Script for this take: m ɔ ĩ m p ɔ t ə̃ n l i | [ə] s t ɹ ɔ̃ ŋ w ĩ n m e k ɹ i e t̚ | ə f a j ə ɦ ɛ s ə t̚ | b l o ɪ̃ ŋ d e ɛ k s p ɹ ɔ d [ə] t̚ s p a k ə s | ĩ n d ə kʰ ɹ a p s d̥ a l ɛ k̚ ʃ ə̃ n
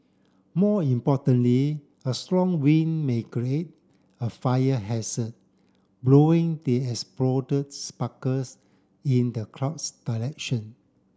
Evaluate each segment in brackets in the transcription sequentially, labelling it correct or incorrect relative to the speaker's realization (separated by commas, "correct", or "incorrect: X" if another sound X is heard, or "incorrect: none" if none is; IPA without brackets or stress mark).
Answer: correct, correct